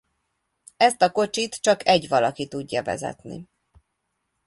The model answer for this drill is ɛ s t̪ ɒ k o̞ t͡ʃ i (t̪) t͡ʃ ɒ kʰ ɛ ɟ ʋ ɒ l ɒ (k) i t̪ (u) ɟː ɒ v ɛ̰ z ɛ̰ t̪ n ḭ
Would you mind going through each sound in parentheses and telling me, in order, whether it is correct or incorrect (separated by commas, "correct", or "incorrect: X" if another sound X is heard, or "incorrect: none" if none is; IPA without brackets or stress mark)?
correct, correct, correct